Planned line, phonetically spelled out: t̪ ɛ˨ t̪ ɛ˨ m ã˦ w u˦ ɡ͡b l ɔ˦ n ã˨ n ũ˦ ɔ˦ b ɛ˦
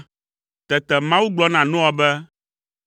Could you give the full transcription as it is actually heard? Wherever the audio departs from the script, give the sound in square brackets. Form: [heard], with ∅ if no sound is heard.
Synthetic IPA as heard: t̪ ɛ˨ t̪ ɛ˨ m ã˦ w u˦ ɡ͡b l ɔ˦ n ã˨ n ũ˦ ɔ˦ b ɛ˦